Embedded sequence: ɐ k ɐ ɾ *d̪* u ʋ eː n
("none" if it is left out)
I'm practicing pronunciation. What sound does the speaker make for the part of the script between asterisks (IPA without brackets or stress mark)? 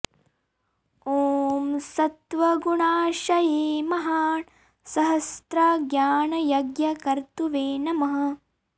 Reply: t̪